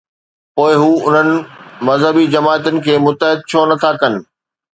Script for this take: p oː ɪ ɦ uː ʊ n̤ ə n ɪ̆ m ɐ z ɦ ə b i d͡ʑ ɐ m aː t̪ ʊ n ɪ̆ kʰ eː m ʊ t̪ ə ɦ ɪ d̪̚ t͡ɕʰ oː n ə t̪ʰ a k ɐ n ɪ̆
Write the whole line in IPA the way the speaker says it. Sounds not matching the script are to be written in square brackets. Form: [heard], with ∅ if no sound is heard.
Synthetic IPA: p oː ɪ ɦ uː ʊ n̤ ə n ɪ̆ m ɐ z ɦ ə b i d͡ʑ ɐ m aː t̪ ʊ n ɪ̆ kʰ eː m ʊ t̪ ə ɦ ɪ d̪̚ t͡ɕʰ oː n [ɐ] t̪ʰ a k ɐ n ɪ̆